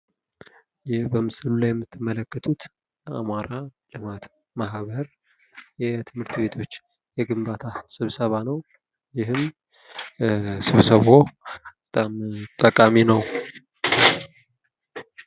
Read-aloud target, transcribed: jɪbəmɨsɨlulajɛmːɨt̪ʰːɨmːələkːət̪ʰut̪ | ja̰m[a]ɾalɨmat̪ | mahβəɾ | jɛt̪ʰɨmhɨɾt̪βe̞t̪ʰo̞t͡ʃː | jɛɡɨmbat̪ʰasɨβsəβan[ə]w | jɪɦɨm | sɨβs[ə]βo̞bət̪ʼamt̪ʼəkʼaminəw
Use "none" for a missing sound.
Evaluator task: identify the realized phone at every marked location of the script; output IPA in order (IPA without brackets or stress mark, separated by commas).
a, ə, ə